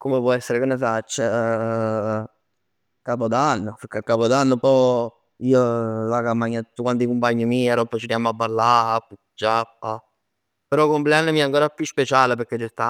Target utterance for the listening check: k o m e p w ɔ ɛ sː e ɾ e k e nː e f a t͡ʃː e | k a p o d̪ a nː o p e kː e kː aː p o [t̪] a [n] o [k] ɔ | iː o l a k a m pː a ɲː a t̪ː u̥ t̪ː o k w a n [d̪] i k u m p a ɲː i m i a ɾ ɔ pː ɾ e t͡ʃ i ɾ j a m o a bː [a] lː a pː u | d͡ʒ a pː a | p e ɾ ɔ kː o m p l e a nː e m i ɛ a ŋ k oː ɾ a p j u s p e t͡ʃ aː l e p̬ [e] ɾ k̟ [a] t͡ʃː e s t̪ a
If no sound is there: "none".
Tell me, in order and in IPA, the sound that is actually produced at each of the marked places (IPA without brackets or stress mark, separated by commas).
d̪, nː, p, t̪, a, e, e